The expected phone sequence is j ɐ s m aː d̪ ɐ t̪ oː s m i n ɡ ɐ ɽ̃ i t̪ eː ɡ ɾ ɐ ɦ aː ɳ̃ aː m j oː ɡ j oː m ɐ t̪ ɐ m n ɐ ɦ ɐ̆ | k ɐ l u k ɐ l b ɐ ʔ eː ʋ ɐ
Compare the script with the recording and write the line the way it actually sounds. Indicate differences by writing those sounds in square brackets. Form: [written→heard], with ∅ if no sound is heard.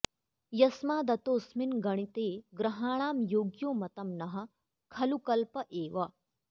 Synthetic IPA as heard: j ɐ s m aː d̪ ɐ t̪ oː s m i n ɡ ɐ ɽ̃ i t̪ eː ɡ ɾ ɐ ɦ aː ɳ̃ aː m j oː ɡ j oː m ɐ t̪ ɐ m n ɐ ɦ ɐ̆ | [k→kʰ] ɐ l u k ɐ l [b→p] ɐ ʔ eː ʋ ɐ